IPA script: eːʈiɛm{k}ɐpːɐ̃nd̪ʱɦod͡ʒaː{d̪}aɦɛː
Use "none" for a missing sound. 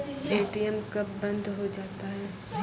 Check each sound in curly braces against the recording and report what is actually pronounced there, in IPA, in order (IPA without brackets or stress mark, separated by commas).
k, t̪